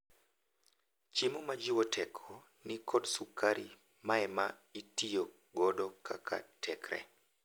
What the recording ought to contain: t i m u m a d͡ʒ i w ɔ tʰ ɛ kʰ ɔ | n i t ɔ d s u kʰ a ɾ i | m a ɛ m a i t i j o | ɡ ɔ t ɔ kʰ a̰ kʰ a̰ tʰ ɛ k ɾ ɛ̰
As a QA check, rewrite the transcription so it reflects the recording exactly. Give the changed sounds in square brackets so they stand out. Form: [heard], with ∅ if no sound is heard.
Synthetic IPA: [t͡ʃ] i m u m a d͡ʒ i w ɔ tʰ ɛ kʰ ɔ | n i [k] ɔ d s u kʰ a ɾ i | m a ɛ m a i t i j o | ɡ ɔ [d] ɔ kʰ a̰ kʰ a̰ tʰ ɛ k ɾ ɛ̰